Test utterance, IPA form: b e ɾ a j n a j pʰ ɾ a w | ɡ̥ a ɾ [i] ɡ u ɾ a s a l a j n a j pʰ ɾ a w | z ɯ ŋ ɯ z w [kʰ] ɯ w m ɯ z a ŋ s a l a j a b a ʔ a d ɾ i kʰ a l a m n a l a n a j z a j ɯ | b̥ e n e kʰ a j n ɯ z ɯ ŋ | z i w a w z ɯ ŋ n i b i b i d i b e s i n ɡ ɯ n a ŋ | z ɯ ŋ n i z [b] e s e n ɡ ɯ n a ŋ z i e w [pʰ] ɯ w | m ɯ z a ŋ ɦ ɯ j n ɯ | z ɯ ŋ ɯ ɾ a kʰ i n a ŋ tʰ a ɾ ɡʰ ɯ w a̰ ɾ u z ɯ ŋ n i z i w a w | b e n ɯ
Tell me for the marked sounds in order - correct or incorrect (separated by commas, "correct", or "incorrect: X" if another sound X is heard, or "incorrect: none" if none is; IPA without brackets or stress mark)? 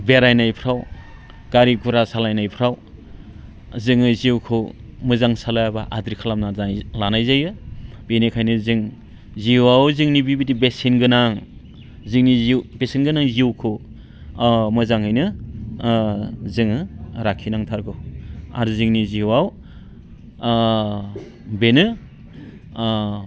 correct, correct, correct, incorrect: kʰ